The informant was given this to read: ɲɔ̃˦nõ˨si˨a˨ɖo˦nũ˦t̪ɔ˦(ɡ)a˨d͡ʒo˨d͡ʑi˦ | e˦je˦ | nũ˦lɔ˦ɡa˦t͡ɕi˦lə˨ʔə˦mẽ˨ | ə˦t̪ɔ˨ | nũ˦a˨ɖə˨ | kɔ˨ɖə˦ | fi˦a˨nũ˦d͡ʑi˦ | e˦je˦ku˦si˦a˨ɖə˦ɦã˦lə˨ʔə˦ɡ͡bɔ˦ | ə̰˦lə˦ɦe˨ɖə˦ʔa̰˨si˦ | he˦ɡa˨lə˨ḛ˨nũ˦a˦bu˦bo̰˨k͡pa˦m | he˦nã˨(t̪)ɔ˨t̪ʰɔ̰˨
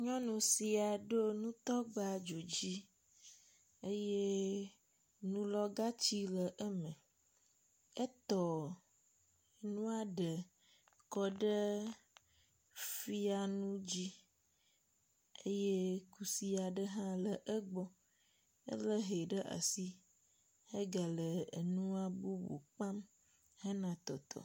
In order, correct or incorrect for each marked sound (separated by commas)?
incorrect, correct